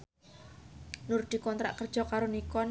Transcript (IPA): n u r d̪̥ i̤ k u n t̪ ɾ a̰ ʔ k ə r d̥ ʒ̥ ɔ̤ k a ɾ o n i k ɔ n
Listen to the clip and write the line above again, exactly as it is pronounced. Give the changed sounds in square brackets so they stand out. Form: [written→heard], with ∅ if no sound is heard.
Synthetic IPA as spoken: n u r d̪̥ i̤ k [u→ɔ] n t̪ ɾ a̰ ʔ k ə r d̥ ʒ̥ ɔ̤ k a ɾ o n i k ɔ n